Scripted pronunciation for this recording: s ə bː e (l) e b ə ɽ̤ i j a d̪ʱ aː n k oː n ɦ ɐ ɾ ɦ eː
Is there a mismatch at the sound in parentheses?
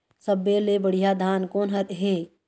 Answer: no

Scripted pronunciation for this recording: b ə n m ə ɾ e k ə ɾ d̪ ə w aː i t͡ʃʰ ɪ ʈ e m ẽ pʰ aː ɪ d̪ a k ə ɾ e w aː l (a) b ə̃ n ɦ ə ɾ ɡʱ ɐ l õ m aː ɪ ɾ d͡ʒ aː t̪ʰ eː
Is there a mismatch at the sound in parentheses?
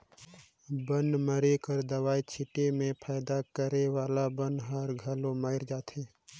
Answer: no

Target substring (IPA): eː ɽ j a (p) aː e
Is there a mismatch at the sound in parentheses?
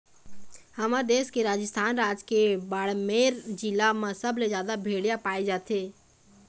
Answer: no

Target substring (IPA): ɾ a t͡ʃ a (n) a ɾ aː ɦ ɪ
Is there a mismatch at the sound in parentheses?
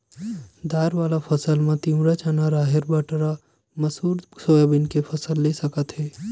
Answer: no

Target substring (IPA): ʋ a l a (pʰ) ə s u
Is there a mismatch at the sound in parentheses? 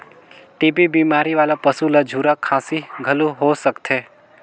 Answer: yes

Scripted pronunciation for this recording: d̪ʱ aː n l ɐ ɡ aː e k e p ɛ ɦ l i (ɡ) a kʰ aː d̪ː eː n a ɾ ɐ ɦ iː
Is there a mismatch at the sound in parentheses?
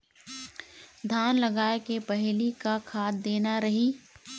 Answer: yes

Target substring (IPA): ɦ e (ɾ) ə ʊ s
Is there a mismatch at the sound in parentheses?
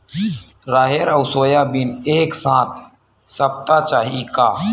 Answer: no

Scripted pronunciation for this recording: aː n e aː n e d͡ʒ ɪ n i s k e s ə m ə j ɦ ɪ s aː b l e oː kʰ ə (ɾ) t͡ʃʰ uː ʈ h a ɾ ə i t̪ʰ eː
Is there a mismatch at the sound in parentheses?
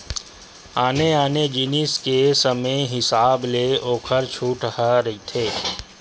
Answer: no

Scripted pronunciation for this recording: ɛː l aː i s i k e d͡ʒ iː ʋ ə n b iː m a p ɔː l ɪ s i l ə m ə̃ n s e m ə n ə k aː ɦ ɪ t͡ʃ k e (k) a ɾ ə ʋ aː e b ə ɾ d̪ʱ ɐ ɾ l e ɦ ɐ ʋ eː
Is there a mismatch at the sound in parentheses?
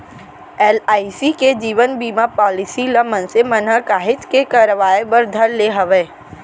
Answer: no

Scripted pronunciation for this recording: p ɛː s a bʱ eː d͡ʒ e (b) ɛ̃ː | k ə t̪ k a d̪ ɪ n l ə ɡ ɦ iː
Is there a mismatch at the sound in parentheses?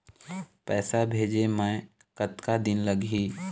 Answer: yes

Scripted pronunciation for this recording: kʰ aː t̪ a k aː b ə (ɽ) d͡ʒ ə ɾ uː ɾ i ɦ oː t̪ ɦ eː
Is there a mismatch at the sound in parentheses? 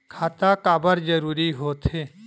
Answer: yes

